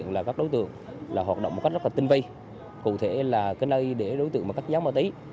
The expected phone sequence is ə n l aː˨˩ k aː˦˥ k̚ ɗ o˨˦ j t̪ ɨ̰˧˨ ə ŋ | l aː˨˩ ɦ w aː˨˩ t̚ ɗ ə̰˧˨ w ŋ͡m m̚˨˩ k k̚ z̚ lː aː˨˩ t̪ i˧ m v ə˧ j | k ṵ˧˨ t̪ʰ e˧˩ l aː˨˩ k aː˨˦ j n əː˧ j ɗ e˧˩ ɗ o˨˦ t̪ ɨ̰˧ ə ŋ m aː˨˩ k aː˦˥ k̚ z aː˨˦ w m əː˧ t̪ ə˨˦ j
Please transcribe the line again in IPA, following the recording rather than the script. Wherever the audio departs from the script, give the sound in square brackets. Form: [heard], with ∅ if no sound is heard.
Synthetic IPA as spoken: ə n l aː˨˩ k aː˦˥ k̚ ɗ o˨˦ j t̪ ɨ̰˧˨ ə ŋ | l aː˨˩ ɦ w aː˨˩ t̚ ɗ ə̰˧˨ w ŋ͡m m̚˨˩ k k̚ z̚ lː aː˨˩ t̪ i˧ [ŋ] v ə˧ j | k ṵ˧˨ t̪ʰ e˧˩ l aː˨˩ k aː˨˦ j n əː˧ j ɗ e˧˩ ɗ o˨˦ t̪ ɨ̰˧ ə ŋ m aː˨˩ k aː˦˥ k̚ z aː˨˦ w m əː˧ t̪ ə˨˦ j